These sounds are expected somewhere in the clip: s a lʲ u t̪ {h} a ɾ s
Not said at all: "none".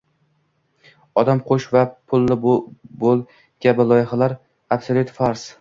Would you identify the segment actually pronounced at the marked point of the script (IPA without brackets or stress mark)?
f